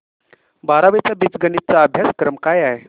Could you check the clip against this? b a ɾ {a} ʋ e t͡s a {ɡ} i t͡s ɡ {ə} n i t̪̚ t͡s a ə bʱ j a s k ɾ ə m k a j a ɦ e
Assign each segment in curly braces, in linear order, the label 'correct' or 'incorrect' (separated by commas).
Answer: correct, incorrect, correct